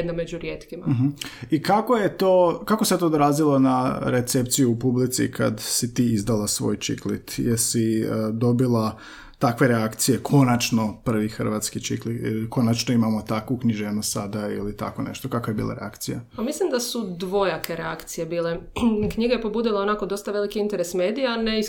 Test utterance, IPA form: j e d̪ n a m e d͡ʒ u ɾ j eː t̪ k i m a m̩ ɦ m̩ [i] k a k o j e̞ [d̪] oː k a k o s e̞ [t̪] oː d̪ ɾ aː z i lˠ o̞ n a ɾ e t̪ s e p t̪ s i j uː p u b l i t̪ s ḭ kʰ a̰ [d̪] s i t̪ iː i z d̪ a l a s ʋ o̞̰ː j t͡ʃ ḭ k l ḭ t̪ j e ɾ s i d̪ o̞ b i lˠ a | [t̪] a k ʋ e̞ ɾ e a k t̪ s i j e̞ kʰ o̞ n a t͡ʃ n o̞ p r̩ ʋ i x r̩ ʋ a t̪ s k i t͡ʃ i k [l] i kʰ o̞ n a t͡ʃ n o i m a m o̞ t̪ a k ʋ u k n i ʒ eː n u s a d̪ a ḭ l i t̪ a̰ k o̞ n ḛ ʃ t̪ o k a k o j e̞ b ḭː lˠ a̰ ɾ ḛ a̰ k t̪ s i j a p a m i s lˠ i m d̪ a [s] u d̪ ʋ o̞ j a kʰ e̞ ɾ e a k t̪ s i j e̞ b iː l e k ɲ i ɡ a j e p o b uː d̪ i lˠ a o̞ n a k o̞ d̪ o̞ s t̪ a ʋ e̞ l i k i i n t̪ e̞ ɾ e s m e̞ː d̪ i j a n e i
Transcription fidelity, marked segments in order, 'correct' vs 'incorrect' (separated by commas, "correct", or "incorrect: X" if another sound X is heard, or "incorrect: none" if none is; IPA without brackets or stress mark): correct, incorrect: t̪, correct, correct, correct, correct, correct